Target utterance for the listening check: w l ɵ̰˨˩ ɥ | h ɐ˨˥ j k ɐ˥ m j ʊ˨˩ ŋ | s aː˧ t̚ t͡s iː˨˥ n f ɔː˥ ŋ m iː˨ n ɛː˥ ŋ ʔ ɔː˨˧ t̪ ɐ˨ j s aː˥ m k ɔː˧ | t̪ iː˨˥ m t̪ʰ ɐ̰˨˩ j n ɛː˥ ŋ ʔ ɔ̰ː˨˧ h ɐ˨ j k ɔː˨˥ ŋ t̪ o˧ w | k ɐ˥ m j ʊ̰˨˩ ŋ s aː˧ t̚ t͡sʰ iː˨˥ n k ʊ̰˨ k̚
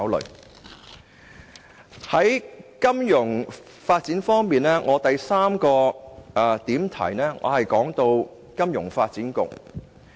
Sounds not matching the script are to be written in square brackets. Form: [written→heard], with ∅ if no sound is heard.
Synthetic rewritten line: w l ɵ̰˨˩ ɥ | h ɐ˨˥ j k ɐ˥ m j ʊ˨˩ ŋ | [s→f] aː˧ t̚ t͡s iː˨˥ n f ɔː˥ ŋ m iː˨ n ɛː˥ ŋ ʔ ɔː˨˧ t̪ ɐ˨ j s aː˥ m k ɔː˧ | t̪ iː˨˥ m t̪ʰ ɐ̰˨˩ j n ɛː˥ ŋ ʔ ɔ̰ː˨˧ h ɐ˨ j k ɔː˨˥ ŋ t̪ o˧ w | k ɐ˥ m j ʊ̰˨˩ ŋ [s→f] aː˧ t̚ [t͡sʰ→t͡s] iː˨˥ n k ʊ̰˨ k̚